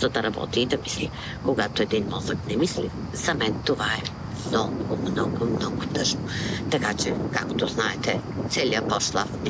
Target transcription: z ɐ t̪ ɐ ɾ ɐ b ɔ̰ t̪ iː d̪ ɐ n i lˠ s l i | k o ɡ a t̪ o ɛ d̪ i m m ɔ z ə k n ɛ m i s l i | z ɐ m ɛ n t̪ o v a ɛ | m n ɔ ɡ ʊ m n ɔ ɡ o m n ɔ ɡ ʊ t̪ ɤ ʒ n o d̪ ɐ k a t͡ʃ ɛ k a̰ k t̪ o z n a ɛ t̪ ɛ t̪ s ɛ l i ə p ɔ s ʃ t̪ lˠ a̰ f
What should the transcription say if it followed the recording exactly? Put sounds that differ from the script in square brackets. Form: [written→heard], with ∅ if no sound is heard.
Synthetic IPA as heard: z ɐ [t̪→d̪] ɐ ɾ ɐ b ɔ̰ t̪ iː d̪ ɐ [n→m] i [lˠ→∅] s l i | k o ɡ a t̪ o ɛ d̪ i [m→n] m ɔ z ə k n ɛ m i s l i | z ɐ m ɛ n t̪ o v a ɛ | m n ɔ ɡ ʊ m n ɔ ɡ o m n ɔ ɡ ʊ t̪ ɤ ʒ n o [d̪→t̪] ɐ k a t͡ʃ ɛ k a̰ k t̪ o z n a ɛ t̪ ɛ t̪ s ɛ l i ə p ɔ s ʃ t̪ lˠ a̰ f